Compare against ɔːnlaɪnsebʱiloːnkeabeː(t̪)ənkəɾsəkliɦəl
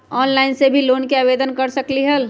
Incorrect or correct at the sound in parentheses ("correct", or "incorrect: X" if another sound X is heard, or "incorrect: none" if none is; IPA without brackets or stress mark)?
incorrect: d̪